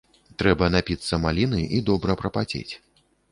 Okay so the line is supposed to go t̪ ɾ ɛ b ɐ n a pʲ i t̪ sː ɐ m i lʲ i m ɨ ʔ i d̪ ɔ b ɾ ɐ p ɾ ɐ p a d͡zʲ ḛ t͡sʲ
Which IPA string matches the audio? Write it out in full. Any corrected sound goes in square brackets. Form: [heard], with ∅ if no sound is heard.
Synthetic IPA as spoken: t̪ ɾ ɛ b ɐ n a pʲ i t̪ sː ɐ m [a] lʲ i [n] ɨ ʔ i d̪ ɔ b ɾ ɐ p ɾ ɐ p a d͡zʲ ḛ t͡sʲ